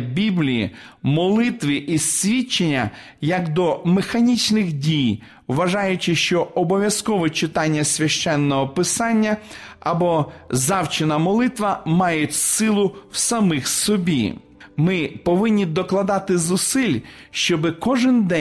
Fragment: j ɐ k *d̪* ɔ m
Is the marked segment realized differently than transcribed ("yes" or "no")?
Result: no